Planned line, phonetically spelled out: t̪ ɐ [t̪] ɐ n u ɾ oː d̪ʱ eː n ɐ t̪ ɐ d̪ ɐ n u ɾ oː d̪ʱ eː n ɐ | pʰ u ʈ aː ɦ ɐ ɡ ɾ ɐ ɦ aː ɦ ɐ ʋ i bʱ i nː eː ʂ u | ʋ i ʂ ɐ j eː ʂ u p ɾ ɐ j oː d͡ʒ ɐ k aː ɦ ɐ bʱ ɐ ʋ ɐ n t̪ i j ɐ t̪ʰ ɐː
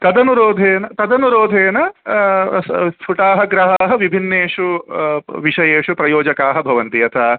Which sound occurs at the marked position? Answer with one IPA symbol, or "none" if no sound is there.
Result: d̪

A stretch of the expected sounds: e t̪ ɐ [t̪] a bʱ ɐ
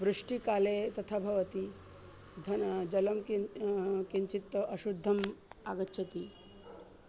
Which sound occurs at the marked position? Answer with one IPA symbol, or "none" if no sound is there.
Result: t̪ʰ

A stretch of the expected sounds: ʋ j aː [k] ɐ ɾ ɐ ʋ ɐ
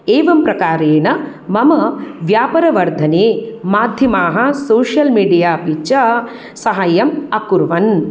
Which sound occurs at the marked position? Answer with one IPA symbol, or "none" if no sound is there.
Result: p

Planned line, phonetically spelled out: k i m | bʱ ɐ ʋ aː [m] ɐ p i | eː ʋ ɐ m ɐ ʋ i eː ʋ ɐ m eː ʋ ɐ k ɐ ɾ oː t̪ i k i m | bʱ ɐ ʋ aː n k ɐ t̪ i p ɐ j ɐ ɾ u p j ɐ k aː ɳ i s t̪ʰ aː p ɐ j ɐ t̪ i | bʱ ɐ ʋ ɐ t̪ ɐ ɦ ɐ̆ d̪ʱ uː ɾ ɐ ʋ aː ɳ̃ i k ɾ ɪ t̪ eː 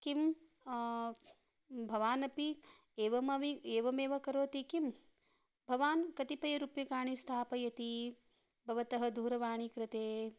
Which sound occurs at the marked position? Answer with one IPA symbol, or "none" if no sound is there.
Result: n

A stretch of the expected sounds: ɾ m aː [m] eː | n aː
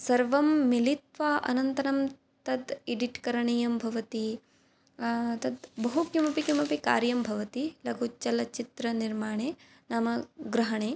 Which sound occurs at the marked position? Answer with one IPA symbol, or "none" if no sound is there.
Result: ɳ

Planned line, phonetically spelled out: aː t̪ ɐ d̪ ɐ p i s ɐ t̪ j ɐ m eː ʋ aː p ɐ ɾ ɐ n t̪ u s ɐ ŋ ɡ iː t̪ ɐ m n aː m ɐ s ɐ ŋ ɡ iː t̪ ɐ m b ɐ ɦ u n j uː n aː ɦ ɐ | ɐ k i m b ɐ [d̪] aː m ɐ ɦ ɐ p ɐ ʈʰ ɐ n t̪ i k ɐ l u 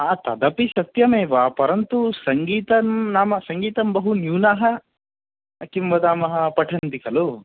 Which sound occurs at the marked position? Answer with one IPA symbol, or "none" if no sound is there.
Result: d̪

